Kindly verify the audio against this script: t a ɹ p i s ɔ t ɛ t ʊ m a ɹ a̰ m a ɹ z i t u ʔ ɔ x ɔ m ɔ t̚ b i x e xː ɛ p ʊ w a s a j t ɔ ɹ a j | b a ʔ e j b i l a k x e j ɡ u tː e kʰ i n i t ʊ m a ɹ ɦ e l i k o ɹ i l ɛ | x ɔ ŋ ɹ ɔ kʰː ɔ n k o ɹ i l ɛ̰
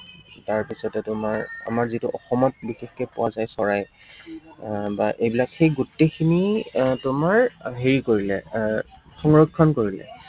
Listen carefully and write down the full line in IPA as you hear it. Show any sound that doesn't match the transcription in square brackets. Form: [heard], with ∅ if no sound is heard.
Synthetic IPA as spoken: t a ɹ p i s ɔ t ɛ t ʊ m a ɹ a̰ m a ɹ z i t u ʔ ɔ x ɔ m ɔ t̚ b i x e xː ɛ p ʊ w a [z] a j [s] ɔ ɹ a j | b a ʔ e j b i l a k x e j ɡ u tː e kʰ i n i t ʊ m a ɹ ɦ e [ɹ] i k o ɹ i l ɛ | x ɔ ŋ ɹ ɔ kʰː ɔ n k o ɹ i l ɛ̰